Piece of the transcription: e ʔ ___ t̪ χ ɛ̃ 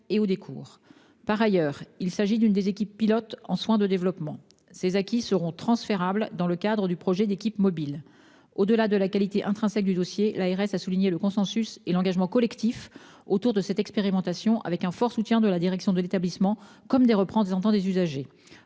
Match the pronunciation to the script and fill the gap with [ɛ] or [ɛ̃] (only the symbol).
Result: ɛ̃